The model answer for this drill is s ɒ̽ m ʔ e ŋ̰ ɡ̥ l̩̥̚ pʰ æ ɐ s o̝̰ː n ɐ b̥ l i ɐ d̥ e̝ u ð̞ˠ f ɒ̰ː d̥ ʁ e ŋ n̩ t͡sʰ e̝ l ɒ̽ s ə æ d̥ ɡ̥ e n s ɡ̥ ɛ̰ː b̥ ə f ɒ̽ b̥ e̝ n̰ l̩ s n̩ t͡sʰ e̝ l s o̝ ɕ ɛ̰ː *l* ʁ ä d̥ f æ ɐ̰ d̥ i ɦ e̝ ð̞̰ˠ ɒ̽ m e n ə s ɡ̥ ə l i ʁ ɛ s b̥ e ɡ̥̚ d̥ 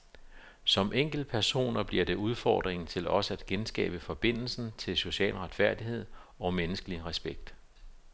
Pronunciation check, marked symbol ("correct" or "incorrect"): correct